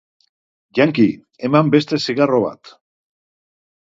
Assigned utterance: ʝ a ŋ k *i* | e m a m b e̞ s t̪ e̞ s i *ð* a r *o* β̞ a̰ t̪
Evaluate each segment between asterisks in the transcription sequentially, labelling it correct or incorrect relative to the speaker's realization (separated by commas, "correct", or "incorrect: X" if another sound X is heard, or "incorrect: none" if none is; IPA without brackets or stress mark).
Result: correct, incorrect: ɣ, correct